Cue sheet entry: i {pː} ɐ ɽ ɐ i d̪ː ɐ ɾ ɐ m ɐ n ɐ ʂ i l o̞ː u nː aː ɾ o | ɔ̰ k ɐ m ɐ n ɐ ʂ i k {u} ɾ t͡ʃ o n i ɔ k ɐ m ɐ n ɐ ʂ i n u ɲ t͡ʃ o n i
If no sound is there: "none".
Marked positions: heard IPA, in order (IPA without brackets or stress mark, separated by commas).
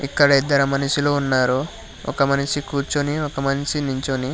kː, uː